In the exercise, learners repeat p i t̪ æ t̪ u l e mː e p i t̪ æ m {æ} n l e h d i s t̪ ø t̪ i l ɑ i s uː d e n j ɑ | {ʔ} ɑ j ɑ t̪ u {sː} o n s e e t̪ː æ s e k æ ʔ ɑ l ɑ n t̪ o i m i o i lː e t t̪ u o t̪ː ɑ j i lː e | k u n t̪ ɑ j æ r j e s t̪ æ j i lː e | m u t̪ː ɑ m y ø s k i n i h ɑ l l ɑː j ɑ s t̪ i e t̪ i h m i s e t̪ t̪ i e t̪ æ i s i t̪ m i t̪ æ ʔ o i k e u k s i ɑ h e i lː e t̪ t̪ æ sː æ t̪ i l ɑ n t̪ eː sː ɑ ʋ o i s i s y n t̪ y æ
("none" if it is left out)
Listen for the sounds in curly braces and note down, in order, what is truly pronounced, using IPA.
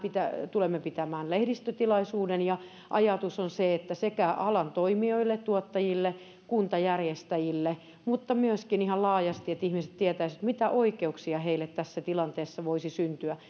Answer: æː, ʔ, s

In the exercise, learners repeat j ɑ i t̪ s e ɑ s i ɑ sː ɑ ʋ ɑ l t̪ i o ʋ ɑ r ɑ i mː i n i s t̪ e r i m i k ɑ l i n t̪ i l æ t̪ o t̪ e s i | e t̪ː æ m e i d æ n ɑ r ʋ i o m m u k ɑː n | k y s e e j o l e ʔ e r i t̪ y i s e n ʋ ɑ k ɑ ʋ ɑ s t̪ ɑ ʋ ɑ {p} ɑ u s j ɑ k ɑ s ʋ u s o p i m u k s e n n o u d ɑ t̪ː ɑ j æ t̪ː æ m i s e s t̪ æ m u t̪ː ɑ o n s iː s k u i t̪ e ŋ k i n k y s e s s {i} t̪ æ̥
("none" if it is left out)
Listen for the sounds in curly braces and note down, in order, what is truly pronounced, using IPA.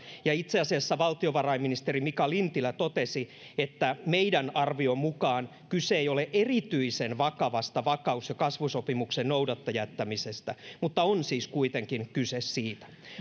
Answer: k, iː

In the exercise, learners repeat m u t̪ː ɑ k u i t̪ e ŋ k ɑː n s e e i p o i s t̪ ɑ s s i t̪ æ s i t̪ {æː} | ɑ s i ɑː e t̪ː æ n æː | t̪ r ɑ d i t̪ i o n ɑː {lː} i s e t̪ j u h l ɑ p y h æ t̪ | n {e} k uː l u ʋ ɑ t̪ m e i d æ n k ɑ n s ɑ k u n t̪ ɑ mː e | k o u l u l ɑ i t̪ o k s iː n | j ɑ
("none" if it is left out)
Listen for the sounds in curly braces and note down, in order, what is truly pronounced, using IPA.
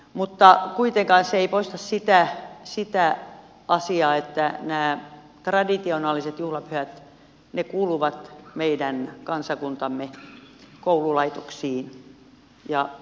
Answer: æ, l, e

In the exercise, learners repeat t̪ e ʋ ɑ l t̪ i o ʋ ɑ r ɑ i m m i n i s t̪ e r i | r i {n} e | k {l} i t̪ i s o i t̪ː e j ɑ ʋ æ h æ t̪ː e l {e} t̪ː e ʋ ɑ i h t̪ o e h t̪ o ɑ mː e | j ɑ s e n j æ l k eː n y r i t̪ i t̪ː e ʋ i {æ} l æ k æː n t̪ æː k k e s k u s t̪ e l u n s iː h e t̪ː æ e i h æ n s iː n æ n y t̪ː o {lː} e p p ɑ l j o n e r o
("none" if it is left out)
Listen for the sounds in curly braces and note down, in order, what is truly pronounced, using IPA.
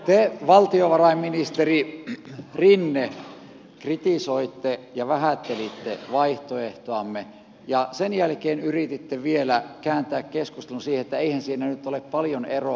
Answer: nː, r, i, e, l

